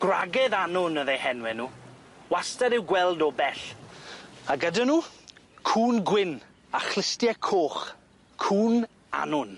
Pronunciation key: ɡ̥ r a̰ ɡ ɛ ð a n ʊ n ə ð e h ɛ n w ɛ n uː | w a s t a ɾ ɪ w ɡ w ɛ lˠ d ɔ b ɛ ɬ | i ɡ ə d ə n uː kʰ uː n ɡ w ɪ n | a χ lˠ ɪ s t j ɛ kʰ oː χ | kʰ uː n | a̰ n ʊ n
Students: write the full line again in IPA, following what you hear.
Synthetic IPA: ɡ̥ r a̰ ɡ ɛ ð a n ʊ n ə ð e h ɛ n w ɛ n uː | w a s t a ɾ ɪ w ɡ w ɛ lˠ d ɔ b ɛ ɬ | a ɡ ə d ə n uː kʰ uː n ɡ w ɪ n | a χ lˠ ɪ s t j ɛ kʰ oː χ | kʰ uː n | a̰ n ʊ n